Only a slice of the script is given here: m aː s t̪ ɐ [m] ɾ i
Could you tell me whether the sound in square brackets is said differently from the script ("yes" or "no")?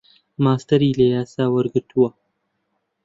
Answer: yes